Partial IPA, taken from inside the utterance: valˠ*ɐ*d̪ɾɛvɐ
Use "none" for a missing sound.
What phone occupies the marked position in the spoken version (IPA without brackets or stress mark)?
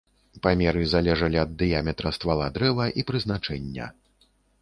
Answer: a